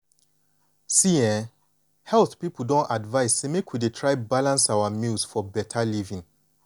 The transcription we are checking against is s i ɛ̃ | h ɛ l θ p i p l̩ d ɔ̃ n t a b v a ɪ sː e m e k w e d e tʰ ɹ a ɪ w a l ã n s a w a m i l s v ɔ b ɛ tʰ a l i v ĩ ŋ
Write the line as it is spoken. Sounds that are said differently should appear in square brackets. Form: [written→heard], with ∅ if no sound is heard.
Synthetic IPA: s i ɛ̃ | h ɛ l θ p i p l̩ d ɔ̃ n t a [b→d] v a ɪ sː e m e k w [e→i] d e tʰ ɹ a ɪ [w→b] a l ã n s a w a m i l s [v→f] ɔ b ɛ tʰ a l i v ĩ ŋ